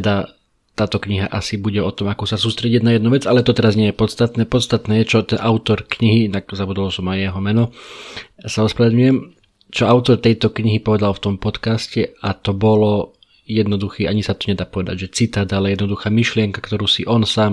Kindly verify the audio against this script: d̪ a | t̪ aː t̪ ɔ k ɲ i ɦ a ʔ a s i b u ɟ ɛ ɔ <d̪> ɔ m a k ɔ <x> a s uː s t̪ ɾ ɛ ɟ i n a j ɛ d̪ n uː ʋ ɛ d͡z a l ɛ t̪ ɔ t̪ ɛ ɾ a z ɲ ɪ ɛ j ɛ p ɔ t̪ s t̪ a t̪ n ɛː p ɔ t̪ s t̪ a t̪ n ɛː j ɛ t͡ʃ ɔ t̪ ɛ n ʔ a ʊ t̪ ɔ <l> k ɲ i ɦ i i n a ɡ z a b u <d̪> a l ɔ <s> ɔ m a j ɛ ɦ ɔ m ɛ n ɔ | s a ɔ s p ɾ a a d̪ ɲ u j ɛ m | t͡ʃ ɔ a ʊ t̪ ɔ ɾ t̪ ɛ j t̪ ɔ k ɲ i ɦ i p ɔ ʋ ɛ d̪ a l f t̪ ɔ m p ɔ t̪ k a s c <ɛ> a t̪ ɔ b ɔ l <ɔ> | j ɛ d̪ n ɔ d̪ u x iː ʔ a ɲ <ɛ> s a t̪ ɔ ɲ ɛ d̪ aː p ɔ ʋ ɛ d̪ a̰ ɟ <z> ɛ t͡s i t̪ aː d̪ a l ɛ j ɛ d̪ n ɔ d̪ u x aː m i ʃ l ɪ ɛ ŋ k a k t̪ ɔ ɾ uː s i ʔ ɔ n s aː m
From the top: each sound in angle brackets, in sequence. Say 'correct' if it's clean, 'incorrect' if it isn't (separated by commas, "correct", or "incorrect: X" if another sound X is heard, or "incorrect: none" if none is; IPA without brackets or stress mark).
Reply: incorrect: t̪, incorrect: s, incorrect: ɾ, correct, correct, correct, correct, incorrect: i, incorrect: ʒ